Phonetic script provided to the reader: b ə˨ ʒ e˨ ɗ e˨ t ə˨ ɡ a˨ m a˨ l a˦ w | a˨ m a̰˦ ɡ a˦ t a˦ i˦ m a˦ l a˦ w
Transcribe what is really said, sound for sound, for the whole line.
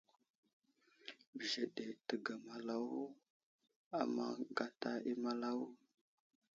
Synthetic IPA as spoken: b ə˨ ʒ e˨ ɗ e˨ t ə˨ ɡ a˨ m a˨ l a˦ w | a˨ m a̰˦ ɡ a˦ t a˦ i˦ m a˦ l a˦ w